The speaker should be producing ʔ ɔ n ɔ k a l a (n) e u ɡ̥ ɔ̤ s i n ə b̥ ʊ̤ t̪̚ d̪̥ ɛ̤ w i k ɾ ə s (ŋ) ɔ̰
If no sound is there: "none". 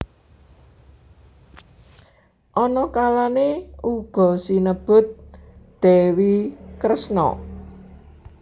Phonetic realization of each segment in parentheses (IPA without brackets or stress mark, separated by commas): n, n